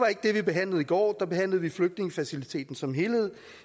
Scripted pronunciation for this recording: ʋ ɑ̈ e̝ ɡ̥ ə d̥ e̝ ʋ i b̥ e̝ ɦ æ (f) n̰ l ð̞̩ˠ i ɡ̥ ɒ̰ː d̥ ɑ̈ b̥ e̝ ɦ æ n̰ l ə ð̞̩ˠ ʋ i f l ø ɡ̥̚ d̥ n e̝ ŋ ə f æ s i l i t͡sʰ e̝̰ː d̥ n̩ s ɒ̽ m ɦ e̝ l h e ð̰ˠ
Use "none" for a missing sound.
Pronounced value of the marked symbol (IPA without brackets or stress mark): none